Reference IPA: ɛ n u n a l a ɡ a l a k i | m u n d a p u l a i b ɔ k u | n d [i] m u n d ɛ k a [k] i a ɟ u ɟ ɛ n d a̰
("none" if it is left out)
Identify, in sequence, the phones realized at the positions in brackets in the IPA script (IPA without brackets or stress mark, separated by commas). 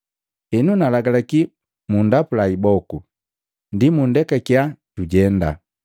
i, k